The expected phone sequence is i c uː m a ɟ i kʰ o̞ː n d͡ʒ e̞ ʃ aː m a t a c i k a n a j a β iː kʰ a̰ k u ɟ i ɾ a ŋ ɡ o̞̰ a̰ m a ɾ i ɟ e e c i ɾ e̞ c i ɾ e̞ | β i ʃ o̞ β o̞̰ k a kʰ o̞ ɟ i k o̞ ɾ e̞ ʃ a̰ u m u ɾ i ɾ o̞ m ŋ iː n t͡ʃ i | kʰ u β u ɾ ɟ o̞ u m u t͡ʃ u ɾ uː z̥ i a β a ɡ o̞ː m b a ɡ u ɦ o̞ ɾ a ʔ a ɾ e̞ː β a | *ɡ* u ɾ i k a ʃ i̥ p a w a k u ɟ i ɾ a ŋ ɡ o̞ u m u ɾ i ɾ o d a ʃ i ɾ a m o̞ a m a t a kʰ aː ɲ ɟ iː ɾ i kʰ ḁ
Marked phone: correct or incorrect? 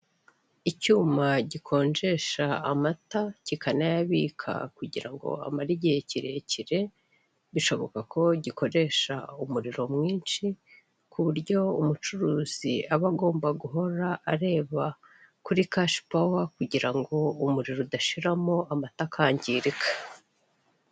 incorrect